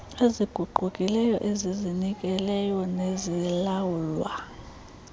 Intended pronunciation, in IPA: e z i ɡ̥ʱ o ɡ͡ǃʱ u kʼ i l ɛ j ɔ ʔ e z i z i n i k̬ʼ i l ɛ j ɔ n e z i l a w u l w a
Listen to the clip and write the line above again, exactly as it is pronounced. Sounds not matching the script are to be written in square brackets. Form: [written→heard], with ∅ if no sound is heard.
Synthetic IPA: e z i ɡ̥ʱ [o→u] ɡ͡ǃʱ u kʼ i l ɛ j ɔ ʔ e z i z i n i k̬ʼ [i→ɛ] l ɛ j ɔ n e z i l a w u l w a